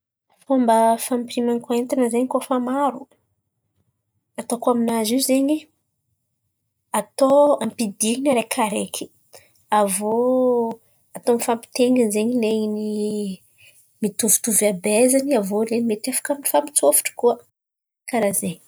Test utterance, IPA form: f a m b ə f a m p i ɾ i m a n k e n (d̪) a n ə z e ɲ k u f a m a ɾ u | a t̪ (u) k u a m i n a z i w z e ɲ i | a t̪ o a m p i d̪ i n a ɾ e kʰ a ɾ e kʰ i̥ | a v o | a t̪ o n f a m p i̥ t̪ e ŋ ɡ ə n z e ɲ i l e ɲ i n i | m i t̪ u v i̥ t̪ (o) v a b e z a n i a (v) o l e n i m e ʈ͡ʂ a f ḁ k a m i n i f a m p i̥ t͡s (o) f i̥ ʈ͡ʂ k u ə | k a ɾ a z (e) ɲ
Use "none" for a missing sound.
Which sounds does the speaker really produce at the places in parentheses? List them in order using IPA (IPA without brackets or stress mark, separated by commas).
t̪, o, u, v, o, e